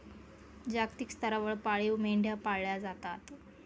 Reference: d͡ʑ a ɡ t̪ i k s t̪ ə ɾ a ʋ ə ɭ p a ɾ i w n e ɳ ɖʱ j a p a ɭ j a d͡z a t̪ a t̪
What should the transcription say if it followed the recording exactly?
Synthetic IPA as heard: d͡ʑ a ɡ t̪ i k s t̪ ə ɾ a ʋ ə ɭ p a ɭ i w m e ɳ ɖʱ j a p a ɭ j a d͡z a t̪ a t̪

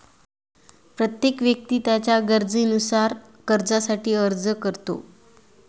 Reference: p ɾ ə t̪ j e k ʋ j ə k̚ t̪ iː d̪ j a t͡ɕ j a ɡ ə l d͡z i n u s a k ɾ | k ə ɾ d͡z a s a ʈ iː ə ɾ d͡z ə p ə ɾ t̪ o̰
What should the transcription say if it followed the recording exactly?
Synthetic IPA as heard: p ɾ ə t̪ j e k ʋ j ə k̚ t̪ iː t̪ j a t͡ɕ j a ɡ ə ɾ d͡z i n u s a ɾ | k ə ɾ d͡z a s a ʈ iː ə ɾ d͡z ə k ə ɾ t̪ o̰

